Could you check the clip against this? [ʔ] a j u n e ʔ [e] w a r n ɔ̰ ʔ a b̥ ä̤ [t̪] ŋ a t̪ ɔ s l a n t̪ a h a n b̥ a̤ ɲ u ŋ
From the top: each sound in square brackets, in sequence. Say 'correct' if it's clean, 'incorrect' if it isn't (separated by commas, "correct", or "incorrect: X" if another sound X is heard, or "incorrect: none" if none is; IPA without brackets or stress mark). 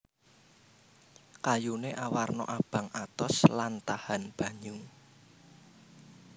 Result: incorrect: k, incorrect: a, incorrect: none